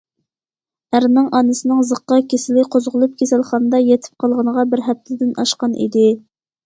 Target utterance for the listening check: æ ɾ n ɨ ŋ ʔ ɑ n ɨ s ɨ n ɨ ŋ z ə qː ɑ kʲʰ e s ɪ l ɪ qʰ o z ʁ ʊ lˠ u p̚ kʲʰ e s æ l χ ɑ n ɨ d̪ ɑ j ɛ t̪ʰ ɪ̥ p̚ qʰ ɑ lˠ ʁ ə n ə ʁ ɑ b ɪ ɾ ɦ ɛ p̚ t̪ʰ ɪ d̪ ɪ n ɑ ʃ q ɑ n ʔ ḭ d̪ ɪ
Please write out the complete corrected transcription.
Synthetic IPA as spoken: æ ɾ n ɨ ŋ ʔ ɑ n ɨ s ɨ n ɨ ŋ z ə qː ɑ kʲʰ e s ɪ l ɪ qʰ o z ʁ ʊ lˠ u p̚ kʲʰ e s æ l χ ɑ n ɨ d̪ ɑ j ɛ t̪ʰ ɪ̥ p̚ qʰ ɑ lˠ ʁ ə n ə ʁ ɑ b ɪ ɾ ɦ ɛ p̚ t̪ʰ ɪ d̪ ɪ n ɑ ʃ q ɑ n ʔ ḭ d̪ ɪ

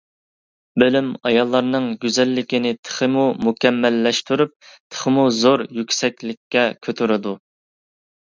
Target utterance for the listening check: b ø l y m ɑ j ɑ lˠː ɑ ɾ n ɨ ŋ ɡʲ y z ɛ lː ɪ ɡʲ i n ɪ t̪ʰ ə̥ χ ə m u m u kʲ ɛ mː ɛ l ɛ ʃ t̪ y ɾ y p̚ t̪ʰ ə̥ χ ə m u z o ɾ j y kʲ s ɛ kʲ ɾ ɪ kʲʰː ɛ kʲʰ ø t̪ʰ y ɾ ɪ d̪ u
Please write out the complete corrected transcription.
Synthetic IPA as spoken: b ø l y m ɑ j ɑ lˠː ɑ ɾ n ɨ ŋ ɡʲ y z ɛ lː ɪ kʲ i n ɪ t̪ʰ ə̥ χ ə m u m u kʲ ɛ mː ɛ lː ɛ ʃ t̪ y ɾ y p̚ t̪ʰ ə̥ χ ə m u z o ɾ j y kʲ s ɛ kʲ l ɪ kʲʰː ɛ kʲʰ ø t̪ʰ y ɾ ɪ d̪ u

